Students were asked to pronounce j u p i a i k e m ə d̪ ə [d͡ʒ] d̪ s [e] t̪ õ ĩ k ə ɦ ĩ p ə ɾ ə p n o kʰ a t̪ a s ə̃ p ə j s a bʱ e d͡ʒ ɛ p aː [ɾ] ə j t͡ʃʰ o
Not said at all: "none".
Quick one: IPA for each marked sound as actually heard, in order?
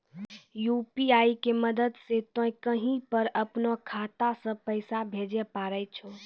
none, e, ɾ

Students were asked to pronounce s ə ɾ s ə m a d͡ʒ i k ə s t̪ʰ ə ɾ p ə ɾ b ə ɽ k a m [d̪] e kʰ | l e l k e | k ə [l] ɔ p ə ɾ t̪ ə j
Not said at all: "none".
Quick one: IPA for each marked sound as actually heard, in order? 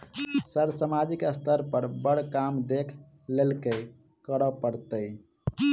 d̪, ɾ

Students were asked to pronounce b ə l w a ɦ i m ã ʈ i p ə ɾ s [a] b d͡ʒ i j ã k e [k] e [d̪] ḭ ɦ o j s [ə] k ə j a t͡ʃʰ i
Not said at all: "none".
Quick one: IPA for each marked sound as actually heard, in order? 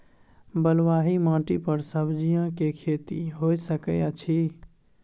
ə, kʰ, t̪, ə

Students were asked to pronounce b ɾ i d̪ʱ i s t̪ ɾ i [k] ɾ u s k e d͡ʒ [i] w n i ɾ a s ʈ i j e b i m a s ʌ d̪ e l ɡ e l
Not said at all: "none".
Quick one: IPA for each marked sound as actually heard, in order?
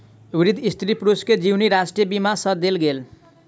p, i

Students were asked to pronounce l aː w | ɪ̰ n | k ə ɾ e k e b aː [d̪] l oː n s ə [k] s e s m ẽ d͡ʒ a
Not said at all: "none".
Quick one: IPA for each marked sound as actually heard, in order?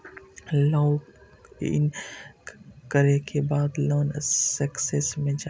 d̪, k

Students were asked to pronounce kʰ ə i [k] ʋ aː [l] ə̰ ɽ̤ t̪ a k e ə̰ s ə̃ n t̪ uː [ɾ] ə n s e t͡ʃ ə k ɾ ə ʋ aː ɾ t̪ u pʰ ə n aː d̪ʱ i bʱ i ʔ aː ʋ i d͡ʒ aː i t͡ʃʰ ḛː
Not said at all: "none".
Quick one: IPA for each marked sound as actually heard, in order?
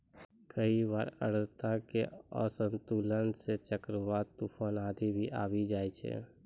none, ɾ, l

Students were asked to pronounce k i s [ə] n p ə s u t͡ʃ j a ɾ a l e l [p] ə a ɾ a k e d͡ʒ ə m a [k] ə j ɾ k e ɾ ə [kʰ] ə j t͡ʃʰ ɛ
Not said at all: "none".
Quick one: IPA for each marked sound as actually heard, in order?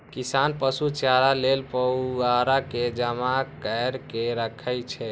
a, p, k, kʰ

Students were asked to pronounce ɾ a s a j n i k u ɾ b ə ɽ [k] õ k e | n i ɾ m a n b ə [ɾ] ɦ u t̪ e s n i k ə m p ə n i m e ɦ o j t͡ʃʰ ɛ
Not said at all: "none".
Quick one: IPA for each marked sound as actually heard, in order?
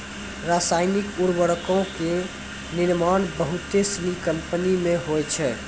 k, none

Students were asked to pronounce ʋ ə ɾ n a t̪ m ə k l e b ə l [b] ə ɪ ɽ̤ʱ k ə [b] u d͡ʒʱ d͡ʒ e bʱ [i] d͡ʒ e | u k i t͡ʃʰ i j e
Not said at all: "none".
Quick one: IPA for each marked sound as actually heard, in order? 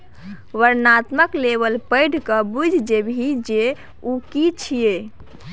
p, b, i

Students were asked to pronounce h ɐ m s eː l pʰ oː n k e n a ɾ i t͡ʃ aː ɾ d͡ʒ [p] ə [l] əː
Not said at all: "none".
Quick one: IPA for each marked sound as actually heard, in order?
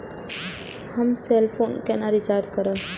k, ɾ

